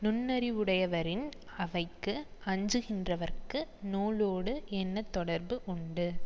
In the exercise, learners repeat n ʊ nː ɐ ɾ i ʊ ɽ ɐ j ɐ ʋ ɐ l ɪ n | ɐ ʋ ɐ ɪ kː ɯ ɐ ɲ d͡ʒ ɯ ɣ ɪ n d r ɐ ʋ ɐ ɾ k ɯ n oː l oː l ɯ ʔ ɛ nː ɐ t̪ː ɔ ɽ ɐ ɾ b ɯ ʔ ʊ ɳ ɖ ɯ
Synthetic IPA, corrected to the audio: n ʊ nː ɐ ɾ i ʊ ɽ ɐ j ɐ ʋ ɐ ɾ ɪ n | ɐ ʋ ɐ ɪ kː ɯ ɐ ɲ d͡ʒ ɯ ɣ ɪ n d r ɐ ʋ ɐ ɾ k ɯ n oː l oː ɽ ɯ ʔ ɛ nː ɐ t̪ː ɔ ɽ ɐ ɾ b ɯ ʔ ʊ ɳ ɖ ɯ